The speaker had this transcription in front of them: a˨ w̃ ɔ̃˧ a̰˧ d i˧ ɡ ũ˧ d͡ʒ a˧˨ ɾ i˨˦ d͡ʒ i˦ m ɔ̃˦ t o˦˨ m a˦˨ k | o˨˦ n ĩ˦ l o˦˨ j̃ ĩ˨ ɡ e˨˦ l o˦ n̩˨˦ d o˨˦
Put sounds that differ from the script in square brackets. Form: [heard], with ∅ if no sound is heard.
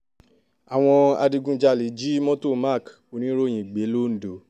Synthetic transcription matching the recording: a˨ w̃ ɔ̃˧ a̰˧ d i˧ ɡ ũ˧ d͡ʒ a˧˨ [l] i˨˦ d͡ʒ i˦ m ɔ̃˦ t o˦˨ m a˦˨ k | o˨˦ n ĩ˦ [ɾ] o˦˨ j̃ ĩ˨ [ɡ͡b] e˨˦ l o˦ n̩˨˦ d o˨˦